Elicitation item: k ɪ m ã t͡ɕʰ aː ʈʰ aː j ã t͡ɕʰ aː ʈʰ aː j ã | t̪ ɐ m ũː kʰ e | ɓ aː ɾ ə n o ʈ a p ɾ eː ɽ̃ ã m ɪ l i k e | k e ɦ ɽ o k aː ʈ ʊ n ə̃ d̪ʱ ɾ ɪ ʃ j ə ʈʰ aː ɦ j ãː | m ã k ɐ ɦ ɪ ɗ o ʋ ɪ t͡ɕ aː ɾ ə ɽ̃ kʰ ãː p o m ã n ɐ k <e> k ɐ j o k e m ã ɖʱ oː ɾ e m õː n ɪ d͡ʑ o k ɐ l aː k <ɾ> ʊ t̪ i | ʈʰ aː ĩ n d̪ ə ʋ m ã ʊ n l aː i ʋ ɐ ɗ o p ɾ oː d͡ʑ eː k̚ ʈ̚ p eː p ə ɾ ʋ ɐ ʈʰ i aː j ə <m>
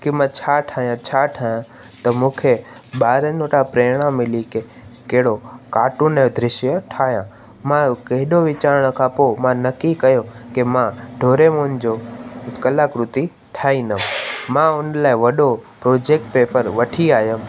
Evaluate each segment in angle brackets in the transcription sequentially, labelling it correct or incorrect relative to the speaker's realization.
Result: incorrect: i, correct, correct

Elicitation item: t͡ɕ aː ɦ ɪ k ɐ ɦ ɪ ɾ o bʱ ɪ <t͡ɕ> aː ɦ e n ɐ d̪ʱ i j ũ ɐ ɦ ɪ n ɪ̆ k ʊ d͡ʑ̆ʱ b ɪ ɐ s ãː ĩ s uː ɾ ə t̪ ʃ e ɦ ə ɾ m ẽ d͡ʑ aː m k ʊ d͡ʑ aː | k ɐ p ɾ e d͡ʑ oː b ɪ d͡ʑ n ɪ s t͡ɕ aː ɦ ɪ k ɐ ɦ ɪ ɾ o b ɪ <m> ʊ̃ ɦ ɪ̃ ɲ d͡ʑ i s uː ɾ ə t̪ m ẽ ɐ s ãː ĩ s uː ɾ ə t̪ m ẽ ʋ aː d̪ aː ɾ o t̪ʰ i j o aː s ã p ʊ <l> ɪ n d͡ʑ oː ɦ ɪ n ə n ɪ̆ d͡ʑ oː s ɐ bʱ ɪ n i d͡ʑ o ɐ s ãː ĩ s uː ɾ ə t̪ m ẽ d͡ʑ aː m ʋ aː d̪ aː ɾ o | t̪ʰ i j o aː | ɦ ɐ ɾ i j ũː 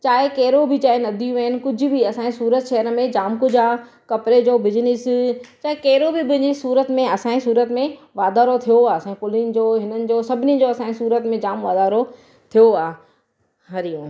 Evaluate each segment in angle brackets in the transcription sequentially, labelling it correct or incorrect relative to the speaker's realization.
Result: correct, incorrect: b, correct

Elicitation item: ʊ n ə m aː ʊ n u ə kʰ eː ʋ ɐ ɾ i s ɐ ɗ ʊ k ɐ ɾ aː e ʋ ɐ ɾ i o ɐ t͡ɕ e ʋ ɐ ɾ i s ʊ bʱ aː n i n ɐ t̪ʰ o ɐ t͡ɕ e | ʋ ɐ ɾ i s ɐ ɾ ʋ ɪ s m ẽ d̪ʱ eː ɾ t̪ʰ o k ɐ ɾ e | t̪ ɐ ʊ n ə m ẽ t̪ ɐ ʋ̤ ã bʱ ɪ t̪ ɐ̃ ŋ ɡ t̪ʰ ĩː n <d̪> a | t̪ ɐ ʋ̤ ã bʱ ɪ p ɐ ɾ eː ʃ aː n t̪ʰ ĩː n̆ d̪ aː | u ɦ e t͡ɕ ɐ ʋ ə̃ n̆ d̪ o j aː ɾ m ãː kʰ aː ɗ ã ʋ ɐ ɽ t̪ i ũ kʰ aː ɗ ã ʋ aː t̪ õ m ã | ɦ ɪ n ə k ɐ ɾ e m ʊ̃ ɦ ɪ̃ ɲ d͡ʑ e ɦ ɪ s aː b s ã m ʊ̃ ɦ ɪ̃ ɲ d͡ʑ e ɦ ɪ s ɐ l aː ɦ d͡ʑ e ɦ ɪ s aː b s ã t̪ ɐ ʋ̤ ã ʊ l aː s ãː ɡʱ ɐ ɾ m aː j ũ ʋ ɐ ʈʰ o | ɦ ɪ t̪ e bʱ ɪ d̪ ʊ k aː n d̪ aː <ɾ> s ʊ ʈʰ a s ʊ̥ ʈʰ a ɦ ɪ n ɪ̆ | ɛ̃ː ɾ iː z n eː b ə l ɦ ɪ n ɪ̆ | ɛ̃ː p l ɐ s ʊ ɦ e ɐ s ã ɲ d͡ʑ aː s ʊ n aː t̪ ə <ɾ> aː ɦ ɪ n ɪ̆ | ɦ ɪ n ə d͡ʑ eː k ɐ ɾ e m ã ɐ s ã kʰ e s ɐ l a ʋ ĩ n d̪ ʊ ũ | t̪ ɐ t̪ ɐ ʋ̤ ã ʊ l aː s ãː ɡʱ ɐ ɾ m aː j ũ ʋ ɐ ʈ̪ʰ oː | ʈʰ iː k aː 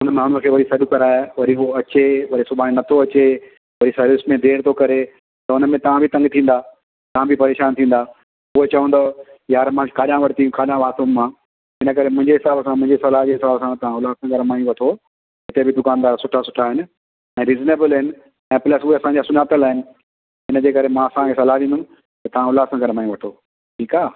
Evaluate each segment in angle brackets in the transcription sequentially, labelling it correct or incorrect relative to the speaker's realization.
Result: correct, correct, incorrect: l

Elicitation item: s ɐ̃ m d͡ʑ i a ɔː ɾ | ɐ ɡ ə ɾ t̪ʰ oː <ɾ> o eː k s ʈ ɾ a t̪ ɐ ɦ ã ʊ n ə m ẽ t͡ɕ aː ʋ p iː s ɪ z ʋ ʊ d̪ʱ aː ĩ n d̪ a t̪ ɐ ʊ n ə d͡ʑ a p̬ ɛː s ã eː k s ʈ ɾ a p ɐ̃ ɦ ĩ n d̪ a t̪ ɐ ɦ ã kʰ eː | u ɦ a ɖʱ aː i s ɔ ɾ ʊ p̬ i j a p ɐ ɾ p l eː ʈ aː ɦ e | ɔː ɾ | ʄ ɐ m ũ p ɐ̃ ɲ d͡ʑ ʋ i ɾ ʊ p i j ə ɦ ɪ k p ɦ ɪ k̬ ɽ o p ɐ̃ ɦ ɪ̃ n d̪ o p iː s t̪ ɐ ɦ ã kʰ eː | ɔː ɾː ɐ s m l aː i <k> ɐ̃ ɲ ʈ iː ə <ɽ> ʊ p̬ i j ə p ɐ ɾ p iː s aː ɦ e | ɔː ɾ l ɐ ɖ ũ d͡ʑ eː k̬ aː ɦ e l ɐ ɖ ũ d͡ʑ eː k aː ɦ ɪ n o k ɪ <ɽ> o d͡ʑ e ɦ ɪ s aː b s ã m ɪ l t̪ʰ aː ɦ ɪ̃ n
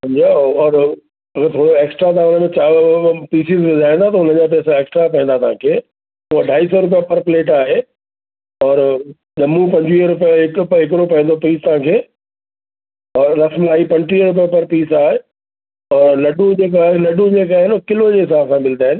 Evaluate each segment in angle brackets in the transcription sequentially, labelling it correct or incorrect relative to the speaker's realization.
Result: incorrect: ɽ, incorrect: p, incorrect: ɾ, incorrect: l

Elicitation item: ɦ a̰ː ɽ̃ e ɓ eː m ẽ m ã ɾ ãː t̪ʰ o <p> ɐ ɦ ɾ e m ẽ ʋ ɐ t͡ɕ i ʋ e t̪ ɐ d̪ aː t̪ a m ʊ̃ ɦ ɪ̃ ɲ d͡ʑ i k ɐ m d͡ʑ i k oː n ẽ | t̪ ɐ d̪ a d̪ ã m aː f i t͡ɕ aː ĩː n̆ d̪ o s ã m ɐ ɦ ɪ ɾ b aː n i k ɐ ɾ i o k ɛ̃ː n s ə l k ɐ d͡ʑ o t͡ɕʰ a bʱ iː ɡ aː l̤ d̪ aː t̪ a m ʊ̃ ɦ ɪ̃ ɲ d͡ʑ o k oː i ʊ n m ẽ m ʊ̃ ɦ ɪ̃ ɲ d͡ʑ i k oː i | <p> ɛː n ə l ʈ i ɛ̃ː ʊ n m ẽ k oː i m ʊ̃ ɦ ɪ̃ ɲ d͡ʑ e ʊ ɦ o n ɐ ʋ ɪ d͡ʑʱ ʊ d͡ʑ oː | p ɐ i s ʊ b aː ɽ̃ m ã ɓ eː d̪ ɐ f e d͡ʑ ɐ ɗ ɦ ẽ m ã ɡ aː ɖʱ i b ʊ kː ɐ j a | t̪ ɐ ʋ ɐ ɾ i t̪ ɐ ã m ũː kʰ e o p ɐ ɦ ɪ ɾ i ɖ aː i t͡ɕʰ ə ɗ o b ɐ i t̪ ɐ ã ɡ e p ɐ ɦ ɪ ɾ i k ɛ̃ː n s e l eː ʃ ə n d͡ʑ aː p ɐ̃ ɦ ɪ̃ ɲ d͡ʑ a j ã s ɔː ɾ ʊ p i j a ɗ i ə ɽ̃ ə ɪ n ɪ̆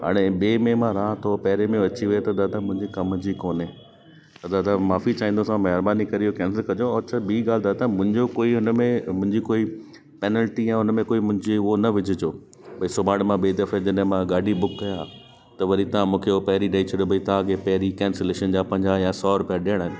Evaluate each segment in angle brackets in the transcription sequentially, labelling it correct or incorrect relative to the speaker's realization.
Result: correct, correct

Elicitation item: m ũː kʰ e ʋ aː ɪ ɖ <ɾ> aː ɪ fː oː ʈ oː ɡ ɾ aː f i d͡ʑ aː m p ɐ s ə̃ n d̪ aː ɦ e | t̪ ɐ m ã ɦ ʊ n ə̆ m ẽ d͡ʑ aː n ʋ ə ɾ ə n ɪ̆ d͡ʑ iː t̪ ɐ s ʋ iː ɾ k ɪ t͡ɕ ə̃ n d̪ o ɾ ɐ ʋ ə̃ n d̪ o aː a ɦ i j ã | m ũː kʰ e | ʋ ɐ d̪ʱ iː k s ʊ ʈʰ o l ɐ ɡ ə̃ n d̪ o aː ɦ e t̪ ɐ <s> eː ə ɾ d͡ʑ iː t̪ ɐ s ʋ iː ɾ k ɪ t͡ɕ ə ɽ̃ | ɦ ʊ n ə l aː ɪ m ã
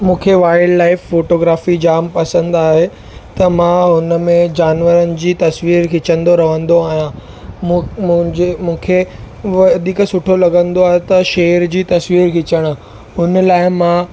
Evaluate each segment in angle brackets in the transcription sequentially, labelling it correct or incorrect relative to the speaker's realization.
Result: incorrect: l, incorrect: ʃ

